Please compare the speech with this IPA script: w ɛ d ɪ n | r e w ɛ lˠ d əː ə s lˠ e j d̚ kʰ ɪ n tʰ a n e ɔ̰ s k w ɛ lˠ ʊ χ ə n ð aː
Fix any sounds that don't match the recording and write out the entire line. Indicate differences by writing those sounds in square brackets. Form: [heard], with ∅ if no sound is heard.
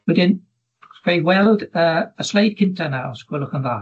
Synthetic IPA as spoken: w ɛ d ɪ n | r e w ɛ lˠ d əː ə s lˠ e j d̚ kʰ ɪ n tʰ a n [a] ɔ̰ s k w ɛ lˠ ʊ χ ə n ð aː

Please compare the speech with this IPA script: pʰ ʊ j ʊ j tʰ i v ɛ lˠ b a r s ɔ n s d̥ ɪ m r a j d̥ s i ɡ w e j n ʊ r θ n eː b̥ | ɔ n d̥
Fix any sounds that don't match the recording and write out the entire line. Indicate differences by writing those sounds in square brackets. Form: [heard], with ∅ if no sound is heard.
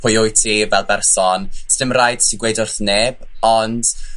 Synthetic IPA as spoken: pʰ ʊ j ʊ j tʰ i v ɛ lˠ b [ɛ] r s ɔ n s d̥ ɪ m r a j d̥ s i ɡ w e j [d] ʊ r θ n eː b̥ | ɔ n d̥

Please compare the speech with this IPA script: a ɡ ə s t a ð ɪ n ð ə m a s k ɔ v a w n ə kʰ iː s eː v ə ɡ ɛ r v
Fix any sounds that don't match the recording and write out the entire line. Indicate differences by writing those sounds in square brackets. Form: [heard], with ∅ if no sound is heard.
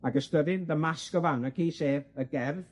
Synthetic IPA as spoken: a ɡ ə s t [ə] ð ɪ n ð ə m a s k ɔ v a w n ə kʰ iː s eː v ə ɡ ɛ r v

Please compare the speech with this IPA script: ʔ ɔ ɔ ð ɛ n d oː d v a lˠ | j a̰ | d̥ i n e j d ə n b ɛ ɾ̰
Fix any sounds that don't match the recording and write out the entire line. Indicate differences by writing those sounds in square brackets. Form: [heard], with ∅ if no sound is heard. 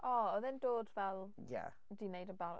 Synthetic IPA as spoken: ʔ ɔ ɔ ð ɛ n d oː d v [ɛ] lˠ | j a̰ | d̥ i n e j d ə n b [a] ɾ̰

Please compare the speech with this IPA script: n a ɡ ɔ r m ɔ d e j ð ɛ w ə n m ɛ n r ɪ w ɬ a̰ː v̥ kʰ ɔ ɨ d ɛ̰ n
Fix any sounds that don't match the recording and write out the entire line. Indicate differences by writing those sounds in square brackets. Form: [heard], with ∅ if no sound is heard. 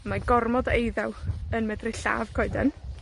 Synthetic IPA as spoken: [m] a ɡ ɔ r m ɔ d e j ð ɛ w ə n m ɛ [d] r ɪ [∅] ɬ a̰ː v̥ kʰ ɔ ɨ d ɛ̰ n

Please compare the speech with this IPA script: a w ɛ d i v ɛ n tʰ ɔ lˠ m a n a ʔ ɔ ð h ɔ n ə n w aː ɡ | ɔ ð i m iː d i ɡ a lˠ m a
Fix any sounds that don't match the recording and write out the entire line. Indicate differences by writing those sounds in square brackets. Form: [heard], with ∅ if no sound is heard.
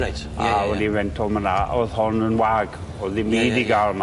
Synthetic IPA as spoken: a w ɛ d i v ɛ n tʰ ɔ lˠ m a n a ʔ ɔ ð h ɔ n ə n w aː ɡ | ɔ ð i m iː d i ɡ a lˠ m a

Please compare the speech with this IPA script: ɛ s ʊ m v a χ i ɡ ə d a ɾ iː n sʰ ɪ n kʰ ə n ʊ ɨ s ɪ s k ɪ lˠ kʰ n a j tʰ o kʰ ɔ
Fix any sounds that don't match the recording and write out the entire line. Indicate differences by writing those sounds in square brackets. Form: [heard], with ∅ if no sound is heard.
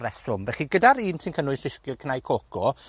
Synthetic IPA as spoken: ɛ s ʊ m v [ɛ] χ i ɡ ə d a ɾ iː n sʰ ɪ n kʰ ə n ʊ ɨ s ɪ s k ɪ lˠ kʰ n a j [kʰ] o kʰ ɔ

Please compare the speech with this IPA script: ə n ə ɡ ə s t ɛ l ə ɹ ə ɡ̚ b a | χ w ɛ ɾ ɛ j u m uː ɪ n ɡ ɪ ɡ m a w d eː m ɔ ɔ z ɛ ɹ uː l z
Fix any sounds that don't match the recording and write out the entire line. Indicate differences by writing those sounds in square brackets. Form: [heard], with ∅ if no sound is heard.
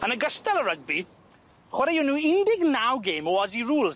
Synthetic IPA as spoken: ə n ə ɡ ə s t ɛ l ə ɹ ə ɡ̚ b [i] | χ w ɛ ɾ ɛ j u [n] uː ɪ n [d] ɪ ɡ [n] a w [ɡ] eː m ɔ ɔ z [i] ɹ uː l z

